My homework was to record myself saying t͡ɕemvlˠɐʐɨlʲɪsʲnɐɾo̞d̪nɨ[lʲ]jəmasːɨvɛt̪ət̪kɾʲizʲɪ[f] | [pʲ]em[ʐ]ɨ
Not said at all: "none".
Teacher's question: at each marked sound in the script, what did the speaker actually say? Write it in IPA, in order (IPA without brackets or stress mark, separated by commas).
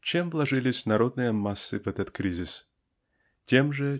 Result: none, s, tʲ, ʐ